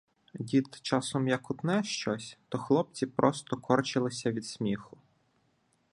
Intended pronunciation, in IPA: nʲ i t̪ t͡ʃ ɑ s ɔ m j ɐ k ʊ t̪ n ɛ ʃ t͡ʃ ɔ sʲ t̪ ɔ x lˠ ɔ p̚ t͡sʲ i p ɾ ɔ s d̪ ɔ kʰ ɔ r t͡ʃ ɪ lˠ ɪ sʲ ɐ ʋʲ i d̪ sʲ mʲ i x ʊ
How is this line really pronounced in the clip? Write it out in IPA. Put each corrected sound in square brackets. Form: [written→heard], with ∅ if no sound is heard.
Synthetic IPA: [nʲ→dʲ] i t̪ t͡ʃ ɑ s ɔ m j ɐ k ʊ t̪ n ɛ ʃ t͡ʃ ɔ sʲ t̪ ɔ x lˠ ɔ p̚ t͡sʲ i p ɾ ɔ s [d̪→t̪] ɔ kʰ ɔ r t͡ʃ ɪ lˠ ɪ sʲ ɐ ʋʲ i d̪ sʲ mʲ i x ʊ